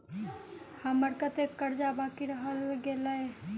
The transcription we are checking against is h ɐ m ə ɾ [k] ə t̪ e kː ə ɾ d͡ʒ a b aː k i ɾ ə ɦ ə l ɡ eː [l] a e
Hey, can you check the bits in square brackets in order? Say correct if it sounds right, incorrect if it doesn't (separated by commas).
correct, correct